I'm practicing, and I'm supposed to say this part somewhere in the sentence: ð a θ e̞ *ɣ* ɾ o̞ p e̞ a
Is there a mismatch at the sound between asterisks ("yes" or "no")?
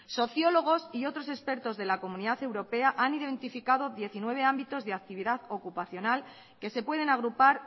yes